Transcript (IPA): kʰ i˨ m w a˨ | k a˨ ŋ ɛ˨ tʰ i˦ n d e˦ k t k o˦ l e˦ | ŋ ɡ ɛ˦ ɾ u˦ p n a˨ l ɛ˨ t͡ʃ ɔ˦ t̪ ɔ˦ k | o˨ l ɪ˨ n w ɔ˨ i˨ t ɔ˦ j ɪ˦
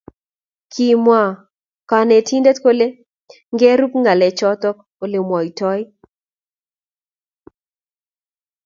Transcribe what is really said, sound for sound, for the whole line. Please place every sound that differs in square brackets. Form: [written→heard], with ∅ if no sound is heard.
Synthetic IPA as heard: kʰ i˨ m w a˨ | k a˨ [ŋ→n] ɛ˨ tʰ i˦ n d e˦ [k→∅] t k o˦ l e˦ | ŋ ɡ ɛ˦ ɾ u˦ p [n→ŋ] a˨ l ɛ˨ t͡ʃ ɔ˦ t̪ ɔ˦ k | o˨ l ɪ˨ [n→m] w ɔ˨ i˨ t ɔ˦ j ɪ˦